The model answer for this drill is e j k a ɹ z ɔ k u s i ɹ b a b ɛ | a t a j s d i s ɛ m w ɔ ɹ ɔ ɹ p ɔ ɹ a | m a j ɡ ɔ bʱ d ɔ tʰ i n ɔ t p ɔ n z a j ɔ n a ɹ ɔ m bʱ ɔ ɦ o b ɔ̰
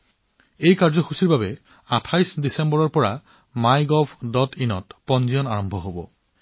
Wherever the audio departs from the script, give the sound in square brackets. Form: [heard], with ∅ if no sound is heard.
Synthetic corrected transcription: e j k a ɹ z ɔ [x] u s i ɹ b a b ɛ | a [tʰ] a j s d i s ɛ m [b] ɔ ɹ ɔ ɹ p ɔ ɹ a | m a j ɡ ɔ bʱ d ɔ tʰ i n ɔ t p ɔ n z [i] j ɔ n a ɹ ɔ m bʱ ɔ ɦ o b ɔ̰